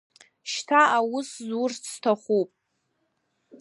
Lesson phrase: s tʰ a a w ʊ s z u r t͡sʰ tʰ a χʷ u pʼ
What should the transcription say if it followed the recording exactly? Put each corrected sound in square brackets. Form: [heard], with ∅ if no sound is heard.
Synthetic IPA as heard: [ʃ] tʰ a a w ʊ s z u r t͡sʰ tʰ a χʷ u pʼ